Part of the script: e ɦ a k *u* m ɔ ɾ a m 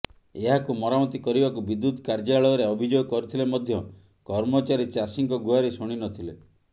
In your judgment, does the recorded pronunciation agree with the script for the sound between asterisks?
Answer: yes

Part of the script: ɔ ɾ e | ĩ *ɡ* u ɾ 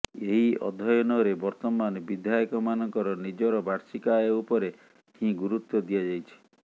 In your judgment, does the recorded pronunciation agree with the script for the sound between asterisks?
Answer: yes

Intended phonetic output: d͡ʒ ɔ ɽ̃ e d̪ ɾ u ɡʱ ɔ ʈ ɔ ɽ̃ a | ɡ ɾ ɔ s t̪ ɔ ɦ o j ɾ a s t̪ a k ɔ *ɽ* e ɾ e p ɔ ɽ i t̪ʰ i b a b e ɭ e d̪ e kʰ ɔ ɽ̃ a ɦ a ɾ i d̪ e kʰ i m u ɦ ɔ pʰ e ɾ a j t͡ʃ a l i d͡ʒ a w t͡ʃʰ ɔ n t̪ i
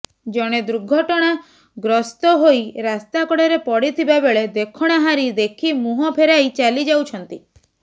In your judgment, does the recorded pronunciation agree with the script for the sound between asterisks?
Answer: yes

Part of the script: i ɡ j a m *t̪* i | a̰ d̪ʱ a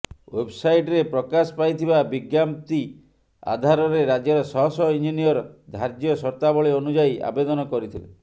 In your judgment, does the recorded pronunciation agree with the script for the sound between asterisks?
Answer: yes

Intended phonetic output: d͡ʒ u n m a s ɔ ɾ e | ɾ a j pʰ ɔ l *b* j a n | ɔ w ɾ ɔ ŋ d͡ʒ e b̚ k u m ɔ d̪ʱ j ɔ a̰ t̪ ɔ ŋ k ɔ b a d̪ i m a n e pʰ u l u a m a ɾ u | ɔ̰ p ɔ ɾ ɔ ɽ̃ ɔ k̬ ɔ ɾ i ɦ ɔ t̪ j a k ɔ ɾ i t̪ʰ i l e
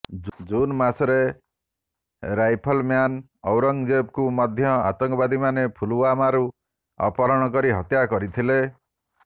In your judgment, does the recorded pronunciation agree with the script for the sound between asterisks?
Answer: no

